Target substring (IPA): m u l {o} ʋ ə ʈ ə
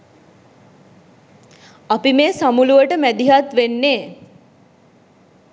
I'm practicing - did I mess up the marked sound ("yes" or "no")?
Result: yes